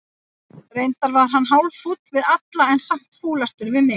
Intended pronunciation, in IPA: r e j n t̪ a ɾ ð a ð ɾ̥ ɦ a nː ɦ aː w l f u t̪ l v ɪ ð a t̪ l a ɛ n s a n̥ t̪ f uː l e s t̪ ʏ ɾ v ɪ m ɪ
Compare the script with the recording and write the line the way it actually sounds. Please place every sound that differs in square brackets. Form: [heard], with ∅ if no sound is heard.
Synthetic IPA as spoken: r e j n t̪ a ɾ [v] a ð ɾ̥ ɦ a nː ɦ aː w l f u t̪ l v ɪ ð a t̪ l a ɛ n s a [m̥] t̪ f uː l [a] s t̪ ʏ ɾ v ɪ m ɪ